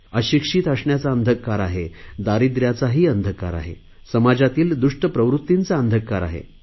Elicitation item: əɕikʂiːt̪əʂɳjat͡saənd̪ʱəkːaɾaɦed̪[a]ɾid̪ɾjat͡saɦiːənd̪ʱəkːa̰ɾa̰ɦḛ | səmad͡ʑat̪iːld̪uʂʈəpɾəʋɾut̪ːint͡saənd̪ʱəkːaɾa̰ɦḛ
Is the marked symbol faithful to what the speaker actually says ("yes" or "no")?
yes